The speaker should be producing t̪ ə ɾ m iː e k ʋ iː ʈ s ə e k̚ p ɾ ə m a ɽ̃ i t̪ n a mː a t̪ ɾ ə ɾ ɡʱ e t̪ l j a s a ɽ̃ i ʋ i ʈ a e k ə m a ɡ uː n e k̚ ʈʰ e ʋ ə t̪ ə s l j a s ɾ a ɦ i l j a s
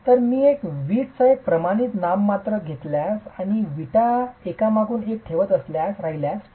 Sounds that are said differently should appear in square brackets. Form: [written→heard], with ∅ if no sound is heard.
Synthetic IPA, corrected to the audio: t̪ ə ɾ m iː e k ʋ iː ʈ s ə e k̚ p ɾ ə m a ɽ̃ i t̪ n a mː a t̪ ɾ ə [ɾ→∅] ɡʱ e t̪ l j a s a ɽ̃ i ʋ i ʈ a e k [ə→a] m a ɡ uː n e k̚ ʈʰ e ʋ ə t̪ ə s l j a s ɾ a ɦ i l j a s

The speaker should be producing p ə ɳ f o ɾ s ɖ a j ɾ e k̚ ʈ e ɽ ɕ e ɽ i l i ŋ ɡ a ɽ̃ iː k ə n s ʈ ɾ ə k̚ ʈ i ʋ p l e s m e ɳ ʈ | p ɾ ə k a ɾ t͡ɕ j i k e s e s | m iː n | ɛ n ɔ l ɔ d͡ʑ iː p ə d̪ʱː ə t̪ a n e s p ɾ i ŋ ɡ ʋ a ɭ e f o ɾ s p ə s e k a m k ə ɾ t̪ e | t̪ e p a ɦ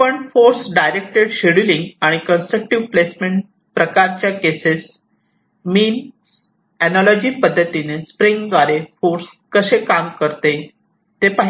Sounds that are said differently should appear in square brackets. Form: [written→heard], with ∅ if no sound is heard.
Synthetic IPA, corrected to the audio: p ə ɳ f o ɾ s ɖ a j ɾ e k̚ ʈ e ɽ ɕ e ɽ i l i ŋ ɡ a ɽ̃ [iː→i] k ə n s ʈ ɾ ə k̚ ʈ i ʋ p l e s m e ɳ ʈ | p ɾ ə k a ɾ t͡ɕ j [i→a] k e s e s | m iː n | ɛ n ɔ l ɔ d͡ʑ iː p ə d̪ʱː ə t̪ [a→i] n e s p ɾ i ŋ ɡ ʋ a [ɭ→ɾ] e f o ɾ s [p→k] ə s e k a m k ə ɾ t̪ e | t̪ e p a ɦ

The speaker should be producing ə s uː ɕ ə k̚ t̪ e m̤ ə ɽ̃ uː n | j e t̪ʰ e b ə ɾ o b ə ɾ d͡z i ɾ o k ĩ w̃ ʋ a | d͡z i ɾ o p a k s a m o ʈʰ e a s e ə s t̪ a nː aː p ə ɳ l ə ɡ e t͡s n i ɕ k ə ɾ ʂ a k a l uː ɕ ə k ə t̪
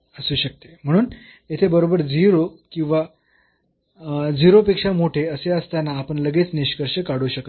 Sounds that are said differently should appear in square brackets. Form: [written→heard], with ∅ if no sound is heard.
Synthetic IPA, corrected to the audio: ə s uː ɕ ə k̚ t̪ e m̤ ə ɽ̃ uː n | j e t̪ʰ e b ə ɾ o b ə ɾ d͡z i ɾ o k ĩ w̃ ʋ a | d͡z i ɾ o p [a→e] k [s→ʂ] a m o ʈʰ e [a→ə] s e ə s t̪ a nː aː p ə ɳ l ə ɡ e t͡s n i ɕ k ə ɾ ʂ [a→ə] k a [l→ɽ] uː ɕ ə k ə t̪

